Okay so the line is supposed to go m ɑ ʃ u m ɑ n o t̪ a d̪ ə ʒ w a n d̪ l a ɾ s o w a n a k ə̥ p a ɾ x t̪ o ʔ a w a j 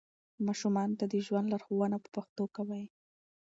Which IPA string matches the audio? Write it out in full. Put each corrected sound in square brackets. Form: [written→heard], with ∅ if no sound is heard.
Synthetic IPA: m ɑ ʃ u m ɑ n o t̪ a d̪ ə ʒ w a n d̪ l a ɾ [s→x] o w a n a [k→p] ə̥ p a [ɾ→∅] x t̪ o [ʔ→k] a w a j

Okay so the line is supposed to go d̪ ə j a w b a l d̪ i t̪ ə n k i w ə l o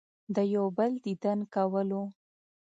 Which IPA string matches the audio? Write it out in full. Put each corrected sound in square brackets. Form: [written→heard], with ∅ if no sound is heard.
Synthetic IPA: d̪ ə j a w b [a→ə] l d̪ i [t̪→d̪] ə n k [i→a] w ə l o

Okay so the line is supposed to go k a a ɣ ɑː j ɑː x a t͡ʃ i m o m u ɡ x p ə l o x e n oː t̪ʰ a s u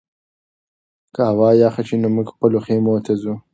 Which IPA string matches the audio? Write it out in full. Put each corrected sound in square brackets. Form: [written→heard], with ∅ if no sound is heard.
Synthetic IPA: k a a [ɣ→w] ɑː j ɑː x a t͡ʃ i [m→n] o m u ɡ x p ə l o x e [n→m] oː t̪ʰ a [s→z] u

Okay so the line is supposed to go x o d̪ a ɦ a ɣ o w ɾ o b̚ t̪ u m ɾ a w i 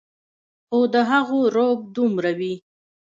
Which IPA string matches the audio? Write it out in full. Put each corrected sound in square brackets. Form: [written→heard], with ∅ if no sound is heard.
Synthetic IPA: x o d̪ [a→ə] ɦ a ɣ o [w→∅] ɾ o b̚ [t̪→d̪] u m ɾ a w i

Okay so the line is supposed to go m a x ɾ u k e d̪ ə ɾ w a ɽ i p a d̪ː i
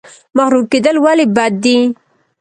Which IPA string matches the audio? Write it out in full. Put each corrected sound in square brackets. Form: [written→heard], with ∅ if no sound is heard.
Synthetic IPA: m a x ɾ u k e d̪ ə [ɾ→l] w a [ɽ→l] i [p→b] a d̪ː i

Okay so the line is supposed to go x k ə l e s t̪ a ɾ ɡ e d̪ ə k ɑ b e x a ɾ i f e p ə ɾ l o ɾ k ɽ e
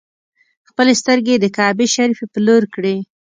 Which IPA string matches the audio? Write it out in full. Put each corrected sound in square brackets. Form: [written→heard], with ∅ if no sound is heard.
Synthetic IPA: x [k→p] ə l e s t̪ [a→ə] ɾ ɡ e d̪ ə k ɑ b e [x→ʃ] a ɾ i f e p ə [ɾ→∅] l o ɾ k ɽ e

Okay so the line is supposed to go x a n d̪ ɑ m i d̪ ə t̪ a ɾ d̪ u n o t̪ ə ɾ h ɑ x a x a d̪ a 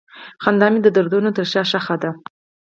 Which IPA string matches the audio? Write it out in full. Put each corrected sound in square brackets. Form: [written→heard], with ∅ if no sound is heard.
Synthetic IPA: x a n d̪ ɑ m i d̪ ə [t̪→d̪] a ɾ d̪ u n o t̪ ə ɾ [h→ʃ] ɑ [x→ʃ] a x a d̪ a

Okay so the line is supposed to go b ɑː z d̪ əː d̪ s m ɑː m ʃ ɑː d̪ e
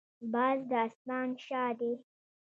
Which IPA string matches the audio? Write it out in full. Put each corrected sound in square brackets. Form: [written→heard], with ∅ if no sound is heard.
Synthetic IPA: b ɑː z d̪ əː [d̪→∅] s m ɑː [m→n] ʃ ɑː d̪ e

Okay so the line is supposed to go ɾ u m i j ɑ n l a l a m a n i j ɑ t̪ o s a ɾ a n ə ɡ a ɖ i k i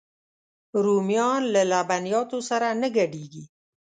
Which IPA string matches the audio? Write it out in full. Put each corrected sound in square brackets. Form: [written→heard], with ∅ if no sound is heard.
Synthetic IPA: ɾ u m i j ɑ n l a l a [m→b] a n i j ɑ t̪ o s a ɾ a n ə ɡ a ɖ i [k→ɡ] i

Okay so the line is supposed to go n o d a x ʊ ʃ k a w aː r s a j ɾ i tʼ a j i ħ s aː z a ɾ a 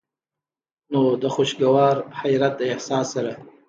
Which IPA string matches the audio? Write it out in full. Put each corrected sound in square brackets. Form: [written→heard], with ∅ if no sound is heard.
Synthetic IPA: n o d a [x→χ] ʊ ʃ [k→ɡ] a w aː r [s→ħ] a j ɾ [i→a] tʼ a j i ħ s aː [z→s] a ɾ a

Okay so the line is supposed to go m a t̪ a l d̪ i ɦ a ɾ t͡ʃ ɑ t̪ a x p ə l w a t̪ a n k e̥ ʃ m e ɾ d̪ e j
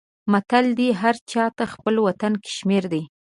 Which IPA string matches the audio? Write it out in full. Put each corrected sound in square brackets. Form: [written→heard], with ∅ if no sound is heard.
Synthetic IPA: m a t̪ a l d̪ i ɦ a ɾ t͡ʃ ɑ t̪ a x p ə l w a t̪ a n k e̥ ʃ m e ɾ d̪ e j

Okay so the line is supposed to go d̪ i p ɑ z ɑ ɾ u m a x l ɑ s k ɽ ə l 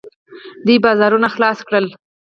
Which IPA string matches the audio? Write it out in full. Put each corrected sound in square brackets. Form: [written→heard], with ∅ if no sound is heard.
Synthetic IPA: d̪ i [p→b] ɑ z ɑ ɾ u [m→n] a x l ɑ s k ɽ ə l

